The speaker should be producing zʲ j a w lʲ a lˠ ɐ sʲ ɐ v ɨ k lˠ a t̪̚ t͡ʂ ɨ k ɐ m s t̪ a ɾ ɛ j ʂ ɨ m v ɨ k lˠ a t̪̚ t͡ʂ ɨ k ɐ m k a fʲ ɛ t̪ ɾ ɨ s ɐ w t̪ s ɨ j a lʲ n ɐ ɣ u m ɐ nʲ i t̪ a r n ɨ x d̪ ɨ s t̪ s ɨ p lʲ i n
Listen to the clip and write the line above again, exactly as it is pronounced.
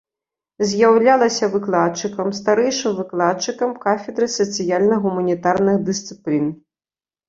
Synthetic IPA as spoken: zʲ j a w lʲ a lˠ ɐ sʲ ɐ v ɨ k lˠ a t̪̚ t͡ʂ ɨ k ɐ m s t̪ a ɾ ɛ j ʂ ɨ m v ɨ k lˠ a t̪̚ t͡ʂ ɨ k ɐ m k a fʲ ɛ d̪ ɾ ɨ s ɐ t̪ s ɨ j a lʲ n ɐ ɣ u m ɐ nʲ i t̪ a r n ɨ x d̪ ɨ s t̪ s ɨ p lʲ i n